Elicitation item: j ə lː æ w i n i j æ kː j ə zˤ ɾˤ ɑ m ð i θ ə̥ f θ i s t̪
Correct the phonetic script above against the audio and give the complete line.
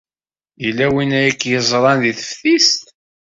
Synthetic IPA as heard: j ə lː æ w i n æ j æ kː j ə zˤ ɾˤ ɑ n ð i θ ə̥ f θ i s t̪